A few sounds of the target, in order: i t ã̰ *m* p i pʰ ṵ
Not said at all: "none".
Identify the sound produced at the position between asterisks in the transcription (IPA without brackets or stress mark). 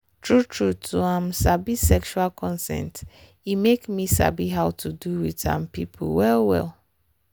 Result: m